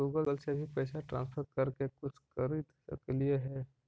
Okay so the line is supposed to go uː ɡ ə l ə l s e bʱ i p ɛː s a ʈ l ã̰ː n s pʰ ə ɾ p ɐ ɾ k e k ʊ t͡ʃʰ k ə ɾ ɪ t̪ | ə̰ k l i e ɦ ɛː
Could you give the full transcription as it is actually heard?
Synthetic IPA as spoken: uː ɡ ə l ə l s e bʱ i p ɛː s a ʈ ɾ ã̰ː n s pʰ ə ɾ k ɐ ɾ k e k ʊ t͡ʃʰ k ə ɾ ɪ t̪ | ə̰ k l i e ɦ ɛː